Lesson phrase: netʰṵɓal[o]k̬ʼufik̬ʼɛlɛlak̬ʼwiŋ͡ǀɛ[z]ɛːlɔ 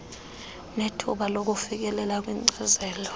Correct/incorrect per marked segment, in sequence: correct, correct

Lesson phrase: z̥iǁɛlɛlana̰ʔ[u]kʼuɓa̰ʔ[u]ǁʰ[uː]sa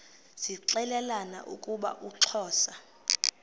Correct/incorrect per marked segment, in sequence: correct, correct, incorrect

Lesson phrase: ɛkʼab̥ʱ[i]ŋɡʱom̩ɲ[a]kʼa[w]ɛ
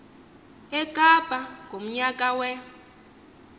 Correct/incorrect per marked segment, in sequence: incorrect, correct, correct

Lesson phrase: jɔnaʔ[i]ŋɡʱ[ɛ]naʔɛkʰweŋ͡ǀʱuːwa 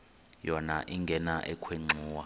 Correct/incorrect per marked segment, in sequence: correct, correct

